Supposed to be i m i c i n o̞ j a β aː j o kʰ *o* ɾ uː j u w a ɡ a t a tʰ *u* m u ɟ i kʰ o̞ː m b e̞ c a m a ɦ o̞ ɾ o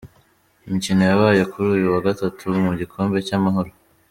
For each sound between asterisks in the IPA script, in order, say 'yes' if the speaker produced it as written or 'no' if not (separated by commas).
no, yes